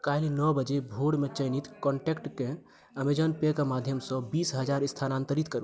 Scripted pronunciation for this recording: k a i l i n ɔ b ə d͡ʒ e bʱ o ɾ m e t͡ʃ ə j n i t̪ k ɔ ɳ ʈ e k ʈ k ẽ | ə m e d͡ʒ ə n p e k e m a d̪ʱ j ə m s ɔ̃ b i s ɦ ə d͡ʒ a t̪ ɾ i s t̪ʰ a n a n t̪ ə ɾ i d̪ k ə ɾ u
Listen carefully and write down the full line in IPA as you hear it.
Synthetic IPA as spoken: k a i l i n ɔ b ə d͡ʒ e bʱ o ɽ m e t͡ʃ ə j n i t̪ k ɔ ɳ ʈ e k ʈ k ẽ | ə m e d͡ʒ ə n p e k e m a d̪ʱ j ə m s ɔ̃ b i s ɦ ə d͡ʒ a ɾ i s t̪ʰ a n a n t̪ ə ɾ i t̪ k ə ɾ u